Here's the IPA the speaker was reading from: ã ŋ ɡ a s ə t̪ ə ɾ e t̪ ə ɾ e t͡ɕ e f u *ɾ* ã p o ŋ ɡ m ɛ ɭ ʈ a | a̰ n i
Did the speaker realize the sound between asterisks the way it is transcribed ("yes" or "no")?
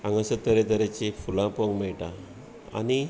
no